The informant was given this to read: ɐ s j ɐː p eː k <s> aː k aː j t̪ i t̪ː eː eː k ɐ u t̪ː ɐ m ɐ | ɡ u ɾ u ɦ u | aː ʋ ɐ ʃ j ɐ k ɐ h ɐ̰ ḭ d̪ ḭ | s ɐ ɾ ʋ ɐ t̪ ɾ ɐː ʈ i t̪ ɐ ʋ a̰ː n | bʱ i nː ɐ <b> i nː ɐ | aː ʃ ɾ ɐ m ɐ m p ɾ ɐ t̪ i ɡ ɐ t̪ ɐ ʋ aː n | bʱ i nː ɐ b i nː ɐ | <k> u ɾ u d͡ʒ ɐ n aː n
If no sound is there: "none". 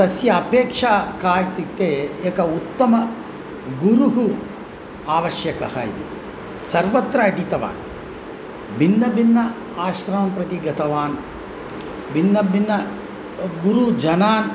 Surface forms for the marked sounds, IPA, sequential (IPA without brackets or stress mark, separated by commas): ʂ, b, ɡ